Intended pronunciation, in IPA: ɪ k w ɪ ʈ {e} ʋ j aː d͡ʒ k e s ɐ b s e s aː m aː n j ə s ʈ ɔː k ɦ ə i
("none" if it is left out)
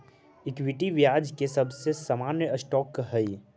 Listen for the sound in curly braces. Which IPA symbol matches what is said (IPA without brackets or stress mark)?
i